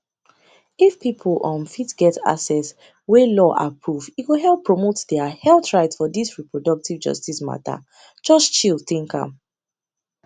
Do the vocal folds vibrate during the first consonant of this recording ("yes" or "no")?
no